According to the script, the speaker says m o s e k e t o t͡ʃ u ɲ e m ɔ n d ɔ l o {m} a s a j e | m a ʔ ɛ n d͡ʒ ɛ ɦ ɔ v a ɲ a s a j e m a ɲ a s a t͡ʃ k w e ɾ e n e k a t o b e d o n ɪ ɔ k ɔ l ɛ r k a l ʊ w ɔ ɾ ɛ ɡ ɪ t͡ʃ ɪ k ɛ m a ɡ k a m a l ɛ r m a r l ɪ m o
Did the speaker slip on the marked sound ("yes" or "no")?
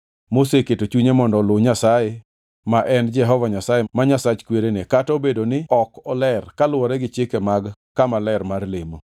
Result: yes